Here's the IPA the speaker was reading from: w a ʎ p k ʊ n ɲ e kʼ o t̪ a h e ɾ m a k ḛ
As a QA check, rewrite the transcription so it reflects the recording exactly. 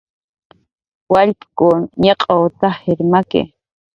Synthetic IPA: w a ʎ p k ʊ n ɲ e qʼ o t̪ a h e ɾ m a k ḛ